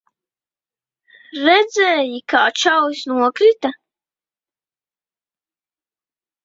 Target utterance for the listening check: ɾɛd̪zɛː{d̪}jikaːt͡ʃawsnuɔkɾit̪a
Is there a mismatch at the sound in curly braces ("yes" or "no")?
yes